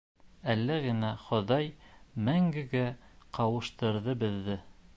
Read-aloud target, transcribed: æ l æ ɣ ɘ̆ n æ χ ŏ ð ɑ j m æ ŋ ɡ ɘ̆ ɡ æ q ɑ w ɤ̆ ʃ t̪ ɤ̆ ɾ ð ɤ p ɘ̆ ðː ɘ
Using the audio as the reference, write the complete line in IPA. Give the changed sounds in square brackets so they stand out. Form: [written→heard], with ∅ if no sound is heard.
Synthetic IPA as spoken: æ [l→lː] æ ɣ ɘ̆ n æ χ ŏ ð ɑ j m æ ŋ ɡ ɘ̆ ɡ æ q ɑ w ɤ̆ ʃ t̪ ɤ̆ ɾ ð ɤ [p→b] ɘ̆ ðː ɘ